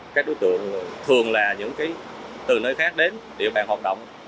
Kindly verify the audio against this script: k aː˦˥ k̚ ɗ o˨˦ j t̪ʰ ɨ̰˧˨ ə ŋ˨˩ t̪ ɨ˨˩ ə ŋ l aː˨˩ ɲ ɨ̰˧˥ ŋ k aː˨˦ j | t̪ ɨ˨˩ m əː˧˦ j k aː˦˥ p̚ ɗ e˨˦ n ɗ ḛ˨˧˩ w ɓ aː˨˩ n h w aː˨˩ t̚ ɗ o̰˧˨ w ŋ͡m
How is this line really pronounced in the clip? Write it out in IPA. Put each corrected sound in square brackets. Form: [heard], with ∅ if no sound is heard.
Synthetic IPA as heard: k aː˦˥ k̚ ɗ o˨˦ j [t̪] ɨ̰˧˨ ə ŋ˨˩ [t̪ʰ] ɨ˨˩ ə ŋ l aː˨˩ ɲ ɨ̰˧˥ ŋ k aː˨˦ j | t̪ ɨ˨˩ [n] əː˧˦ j [x] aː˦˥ [k̚] ɗ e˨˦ n ɗ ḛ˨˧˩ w ɓ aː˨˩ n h w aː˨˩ t̚ ɗ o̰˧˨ w ŋ͡m